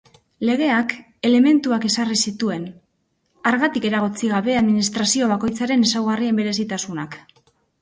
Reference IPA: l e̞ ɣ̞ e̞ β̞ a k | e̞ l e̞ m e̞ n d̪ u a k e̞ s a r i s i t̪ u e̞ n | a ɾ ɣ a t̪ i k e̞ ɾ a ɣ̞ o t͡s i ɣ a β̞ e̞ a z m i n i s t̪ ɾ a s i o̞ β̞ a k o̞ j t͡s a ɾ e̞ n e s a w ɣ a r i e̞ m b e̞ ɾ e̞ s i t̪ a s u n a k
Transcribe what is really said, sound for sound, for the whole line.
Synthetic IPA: l e̞ ɣ̞ e̞ a k | e̞ l e̞ m e̞ n t̪ u a k e̞ s a r i s i t̪ u e̞ n | a ɾ ɣ a t̪ i k e̞ ɾ a ɣ̞ o t͡s i ɣ a β̞ e̞ a ð m i n i s t̪ ɾ a s i o̞ β̞ a k o̞ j t͡s a ɾ e̞ n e s a w ɣ a r i e̞ m b e̞ ɾ e̞ s i t̪ a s u n a k